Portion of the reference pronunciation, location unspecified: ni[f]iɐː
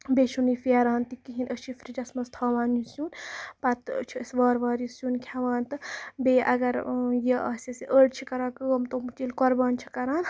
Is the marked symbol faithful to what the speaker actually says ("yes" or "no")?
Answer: yes